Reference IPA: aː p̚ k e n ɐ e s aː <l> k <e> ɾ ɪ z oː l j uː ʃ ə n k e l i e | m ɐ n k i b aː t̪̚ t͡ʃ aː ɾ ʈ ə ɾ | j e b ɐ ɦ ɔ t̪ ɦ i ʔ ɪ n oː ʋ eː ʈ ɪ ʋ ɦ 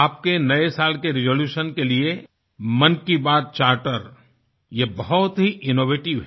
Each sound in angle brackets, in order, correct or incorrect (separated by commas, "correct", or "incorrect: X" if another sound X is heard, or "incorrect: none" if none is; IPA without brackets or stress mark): correct, correct